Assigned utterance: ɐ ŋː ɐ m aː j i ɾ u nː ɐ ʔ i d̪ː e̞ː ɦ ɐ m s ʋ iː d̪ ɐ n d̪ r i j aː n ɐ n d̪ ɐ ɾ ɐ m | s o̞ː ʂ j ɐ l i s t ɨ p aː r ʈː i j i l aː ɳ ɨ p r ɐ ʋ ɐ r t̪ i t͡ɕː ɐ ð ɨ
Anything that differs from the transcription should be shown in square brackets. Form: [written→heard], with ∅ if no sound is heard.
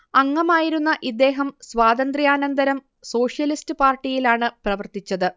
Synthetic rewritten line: ɐ ŋː ɐ m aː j i ɾ u nː ɐ ʔ i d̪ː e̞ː ɦ ɐ m s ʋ [iː→aː] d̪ ɐ n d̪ r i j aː n ɐ n d̪ ɐ ɾ ɐ m | s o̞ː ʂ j ɐ l i s t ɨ p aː r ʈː i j i l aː ɳ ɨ p r ɐ ʋ ɐ r t̪ i t͡ɕː ɐ ð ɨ